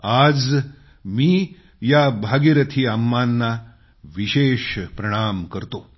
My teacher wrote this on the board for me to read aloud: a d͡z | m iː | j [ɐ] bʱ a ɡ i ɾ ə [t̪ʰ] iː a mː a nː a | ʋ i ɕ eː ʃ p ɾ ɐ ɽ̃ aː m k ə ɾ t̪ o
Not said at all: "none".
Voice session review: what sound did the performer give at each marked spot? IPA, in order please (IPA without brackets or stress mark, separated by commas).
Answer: a, t̪ʰ